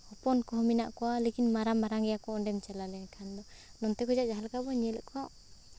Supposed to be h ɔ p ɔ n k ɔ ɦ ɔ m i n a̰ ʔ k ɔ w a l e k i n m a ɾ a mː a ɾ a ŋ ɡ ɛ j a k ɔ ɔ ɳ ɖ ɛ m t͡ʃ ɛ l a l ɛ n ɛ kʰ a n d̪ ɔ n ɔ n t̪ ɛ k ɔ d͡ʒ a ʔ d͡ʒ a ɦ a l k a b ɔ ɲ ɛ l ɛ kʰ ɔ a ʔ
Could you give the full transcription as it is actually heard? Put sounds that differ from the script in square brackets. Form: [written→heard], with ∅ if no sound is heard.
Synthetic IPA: h ɔ p ɔ n k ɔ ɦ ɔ m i n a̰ ʔ k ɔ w a l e k i n m a ɾ a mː a ɾ a ŋ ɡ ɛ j a k ɔ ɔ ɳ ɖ ɛ m t͡ʃ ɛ l a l ɛ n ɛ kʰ a n d̪ ɔ n ɔ n t̪ ɛ k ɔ d͡ʒ a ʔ d͡ʒ a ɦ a l k a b ɔ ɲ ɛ l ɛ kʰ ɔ a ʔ